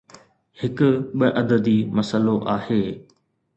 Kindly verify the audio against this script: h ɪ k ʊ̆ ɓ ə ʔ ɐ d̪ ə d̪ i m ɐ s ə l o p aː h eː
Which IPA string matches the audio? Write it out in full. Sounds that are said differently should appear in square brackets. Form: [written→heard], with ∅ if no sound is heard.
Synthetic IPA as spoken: h ɪ k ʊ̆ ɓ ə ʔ ɐ d̪ ə d̪ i m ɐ s ə l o [p→ʔ] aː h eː